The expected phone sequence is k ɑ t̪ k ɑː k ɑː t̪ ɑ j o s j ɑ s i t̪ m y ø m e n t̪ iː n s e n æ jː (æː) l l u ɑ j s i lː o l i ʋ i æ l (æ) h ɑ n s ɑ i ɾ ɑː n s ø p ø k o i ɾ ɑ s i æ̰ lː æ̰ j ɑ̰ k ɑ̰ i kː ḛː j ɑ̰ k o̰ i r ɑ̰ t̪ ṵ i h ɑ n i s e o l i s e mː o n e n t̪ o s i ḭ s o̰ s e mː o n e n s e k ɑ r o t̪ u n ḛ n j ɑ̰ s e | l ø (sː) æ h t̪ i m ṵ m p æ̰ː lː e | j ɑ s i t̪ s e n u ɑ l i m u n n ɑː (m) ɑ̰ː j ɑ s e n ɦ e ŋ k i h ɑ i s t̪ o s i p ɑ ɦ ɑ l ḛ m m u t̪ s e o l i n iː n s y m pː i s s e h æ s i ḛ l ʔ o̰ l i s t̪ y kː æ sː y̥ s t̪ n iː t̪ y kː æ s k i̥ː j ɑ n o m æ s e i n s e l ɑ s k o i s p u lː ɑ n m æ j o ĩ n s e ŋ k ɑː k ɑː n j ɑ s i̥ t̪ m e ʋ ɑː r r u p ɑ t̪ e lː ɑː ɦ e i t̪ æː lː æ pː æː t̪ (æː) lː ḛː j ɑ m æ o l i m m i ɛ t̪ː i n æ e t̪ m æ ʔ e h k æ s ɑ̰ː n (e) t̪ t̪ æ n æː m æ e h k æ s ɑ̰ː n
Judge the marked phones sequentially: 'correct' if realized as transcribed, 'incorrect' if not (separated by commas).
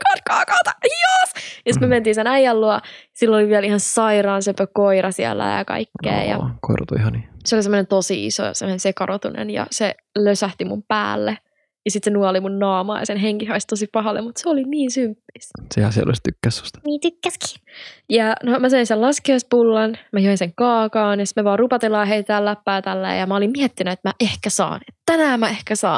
incorrect, incorrect, incorrect, correct, incorrect, correct